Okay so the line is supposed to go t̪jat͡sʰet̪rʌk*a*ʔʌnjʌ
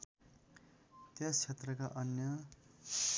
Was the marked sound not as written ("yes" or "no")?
no